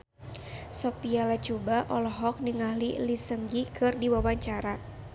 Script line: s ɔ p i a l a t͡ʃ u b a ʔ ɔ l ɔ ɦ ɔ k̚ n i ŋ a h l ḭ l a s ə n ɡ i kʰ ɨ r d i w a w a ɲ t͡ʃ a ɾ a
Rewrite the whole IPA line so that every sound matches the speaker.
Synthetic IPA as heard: s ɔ p i a l a t͡ʃ u b a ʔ ɔ l ɔ ɦ ɔ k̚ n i ŋ a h l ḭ l i s ə ŋ ɡ i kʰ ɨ r d i w a w a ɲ t͡ʃ a ɾ a